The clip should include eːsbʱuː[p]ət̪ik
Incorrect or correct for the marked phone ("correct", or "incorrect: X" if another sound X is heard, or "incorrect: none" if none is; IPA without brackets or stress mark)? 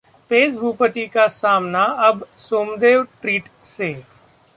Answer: correct